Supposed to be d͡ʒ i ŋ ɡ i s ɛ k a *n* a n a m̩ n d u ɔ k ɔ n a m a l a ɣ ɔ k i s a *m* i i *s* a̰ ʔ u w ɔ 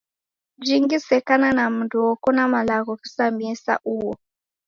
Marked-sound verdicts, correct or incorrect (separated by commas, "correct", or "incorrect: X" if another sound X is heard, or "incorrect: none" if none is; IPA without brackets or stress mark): correct, correct, correct